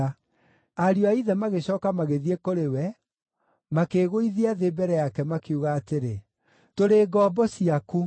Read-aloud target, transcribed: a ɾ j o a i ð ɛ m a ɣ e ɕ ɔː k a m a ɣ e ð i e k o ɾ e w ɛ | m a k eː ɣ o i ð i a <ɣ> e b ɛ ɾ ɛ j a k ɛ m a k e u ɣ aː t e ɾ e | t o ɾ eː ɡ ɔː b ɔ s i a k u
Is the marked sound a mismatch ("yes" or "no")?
yes